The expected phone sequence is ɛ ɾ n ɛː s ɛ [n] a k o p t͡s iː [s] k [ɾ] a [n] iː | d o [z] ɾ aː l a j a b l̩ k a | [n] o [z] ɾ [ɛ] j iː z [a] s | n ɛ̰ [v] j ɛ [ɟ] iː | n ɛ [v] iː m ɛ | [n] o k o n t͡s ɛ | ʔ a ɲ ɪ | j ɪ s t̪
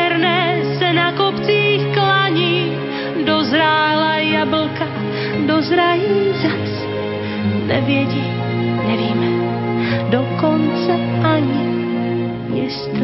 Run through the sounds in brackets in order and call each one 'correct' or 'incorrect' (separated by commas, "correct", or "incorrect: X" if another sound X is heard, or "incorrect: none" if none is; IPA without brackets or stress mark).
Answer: correct, incorrect: x, incorrect: l, incorrect: ɲ, correct, incorrect: d, correct, incorrect: a, correct, correct, correct, correct, incorrect: d